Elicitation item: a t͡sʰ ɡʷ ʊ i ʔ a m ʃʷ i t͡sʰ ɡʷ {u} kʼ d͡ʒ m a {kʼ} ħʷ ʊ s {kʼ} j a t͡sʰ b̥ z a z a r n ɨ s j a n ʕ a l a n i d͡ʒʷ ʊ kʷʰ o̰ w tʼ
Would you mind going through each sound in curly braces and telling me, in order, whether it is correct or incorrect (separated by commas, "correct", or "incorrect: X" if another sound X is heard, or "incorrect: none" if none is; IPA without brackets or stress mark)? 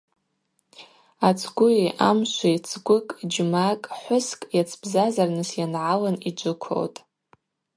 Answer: incorrect: ʊ, correct, correct